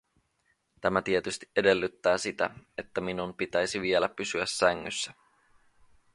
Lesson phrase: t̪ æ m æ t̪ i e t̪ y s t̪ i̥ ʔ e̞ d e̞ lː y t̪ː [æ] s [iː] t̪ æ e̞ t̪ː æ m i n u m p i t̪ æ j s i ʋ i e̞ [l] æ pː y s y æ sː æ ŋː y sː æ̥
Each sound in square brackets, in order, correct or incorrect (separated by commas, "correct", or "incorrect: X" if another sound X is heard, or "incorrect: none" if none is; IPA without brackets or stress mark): incorrect: æː, incorrect: i, correct